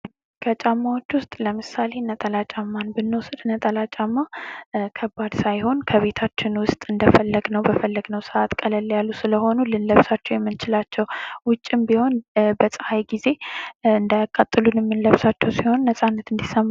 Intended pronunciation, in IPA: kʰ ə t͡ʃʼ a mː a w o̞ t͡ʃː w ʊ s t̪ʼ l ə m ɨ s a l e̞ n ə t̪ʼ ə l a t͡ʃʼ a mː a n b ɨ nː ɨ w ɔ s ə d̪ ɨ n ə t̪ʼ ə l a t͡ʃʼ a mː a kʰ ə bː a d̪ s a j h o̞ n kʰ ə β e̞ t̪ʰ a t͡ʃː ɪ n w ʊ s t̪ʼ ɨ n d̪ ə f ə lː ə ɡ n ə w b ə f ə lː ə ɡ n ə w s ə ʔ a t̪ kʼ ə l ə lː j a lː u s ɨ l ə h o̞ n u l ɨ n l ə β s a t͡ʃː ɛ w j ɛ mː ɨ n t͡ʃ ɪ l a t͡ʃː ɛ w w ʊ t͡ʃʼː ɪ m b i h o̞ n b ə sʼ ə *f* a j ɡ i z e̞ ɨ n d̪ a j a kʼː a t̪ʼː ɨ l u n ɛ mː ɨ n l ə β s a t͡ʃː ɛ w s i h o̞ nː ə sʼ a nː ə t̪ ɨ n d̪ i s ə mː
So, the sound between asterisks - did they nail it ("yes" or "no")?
no